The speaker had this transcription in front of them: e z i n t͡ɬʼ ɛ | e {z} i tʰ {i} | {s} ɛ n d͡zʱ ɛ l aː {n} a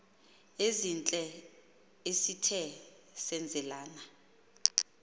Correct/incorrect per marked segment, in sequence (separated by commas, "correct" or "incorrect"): incorrect, incorrect, correct, correct